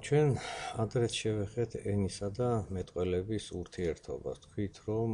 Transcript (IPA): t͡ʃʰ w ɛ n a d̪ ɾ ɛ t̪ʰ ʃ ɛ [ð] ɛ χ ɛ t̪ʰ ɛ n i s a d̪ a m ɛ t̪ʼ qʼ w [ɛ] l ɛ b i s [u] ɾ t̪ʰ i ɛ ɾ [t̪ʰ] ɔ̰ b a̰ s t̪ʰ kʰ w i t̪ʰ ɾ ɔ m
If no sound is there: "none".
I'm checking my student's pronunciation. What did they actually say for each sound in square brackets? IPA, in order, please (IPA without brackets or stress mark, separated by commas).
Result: v, ɛ, u, t̪ʰ